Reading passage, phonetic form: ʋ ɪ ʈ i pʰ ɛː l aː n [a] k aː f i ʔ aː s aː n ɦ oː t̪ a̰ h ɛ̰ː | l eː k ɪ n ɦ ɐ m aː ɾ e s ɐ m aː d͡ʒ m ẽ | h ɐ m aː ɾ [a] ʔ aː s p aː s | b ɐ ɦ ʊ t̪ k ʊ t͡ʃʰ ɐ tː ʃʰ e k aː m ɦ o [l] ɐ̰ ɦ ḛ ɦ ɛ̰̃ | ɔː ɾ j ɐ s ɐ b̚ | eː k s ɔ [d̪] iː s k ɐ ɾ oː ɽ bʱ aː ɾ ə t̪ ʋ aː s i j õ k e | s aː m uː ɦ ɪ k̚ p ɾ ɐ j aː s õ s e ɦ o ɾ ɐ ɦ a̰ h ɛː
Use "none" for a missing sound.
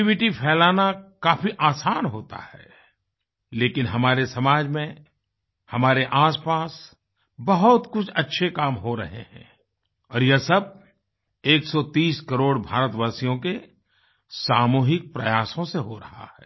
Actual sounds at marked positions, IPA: a, e, ɾ, t̪

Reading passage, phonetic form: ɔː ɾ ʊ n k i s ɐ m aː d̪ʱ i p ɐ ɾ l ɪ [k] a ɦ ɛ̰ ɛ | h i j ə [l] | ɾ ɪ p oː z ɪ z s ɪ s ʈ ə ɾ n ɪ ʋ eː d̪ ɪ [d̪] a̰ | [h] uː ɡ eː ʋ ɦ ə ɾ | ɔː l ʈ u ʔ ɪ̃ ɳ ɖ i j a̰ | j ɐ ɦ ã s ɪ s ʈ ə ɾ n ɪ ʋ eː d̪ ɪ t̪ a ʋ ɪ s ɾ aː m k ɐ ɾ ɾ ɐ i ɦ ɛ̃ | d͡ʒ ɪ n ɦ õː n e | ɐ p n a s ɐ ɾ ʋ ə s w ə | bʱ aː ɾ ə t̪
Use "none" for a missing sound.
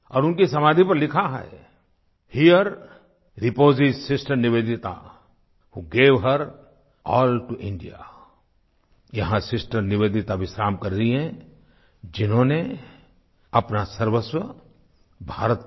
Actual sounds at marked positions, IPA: kʰ, ɾ, t̪, h

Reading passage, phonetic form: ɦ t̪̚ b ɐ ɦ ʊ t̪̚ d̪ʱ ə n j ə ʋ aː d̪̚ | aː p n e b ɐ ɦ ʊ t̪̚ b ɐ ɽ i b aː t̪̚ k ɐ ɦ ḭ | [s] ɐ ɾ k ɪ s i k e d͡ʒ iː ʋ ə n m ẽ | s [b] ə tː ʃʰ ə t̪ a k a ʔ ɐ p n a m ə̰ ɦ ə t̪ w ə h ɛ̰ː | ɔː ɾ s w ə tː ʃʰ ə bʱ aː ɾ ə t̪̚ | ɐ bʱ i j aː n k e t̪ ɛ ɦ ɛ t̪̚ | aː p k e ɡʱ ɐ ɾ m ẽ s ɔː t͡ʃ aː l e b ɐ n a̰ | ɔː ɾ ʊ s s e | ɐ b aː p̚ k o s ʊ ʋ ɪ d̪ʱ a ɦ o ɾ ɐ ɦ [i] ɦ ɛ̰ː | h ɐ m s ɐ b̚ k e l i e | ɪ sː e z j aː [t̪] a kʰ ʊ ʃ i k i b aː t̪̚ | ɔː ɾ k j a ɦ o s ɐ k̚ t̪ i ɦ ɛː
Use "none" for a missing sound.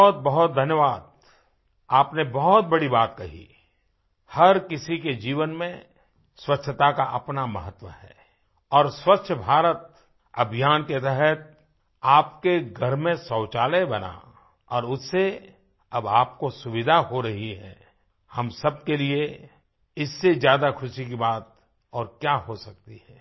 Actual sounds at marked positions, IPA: h, w, i, d̪

